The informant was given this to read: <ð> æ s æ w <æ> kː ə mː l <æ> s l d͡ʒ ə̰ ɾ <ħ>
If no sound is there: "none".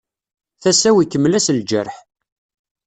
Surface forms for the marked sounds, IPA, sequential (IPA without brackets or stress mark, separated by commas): θ, i, æ, ħ